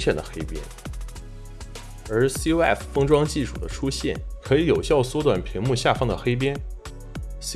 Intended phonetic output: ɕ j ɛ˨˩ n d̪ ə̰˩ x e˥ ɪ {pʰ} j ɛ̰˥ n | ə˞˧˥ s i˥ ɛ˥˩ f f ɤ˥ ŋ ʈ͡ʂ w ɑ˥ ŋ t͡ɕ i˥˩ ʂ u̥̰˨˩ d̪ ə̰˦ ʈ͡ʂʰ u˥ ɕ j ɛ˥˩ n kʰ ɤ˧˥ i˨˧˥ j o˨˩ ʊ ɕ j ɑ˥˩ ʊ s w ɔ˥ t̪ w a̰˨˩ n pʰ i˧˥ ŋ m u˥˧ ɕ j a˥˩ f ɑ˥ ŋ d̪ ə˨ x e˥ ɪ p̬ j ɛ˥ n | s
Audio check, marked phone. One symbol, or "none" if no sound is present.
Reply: p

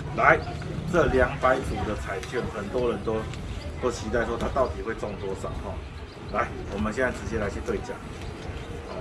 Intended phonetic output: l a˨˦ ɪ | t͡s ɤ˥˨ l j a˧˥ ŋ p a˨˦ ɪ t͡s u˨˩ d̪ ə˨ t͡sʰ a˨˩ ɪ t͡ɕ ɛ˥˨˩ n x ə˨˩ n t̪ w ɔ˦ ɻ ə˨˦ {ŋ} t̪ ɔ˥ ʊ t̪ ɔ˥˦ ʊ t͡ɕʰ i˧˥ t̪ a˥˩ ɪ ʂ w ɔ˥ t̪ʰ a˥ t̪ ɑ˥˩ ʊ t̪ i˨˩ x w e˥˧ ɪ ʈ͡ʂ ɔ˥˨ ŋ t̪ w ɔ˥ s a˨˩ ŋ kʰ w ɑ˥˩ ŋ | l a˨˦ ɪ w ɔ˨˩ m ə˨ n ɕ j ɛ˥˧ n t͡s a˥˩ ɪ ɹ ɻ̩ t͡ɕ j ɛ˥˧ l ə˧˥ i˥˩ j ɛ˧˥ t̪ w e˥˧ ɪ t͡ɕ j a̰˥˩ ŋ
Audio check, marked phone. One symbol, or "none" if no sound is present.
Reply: n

